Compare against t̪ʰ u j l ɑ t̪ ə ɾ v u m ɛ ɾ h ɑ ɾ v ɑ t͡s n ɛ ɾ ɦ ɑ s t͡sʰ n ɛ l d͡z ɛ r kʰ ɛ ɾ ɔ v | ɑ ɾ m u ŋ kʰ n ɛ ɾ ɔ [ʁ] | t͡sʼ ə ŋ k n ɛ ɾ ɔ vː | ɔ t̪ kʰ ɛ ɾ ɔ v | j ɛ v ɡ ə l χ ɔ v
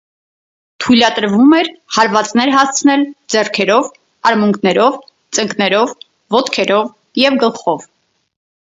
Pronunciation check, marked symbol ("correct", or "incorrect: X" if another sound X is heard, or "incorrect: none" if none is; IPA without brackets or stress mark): incorrect: v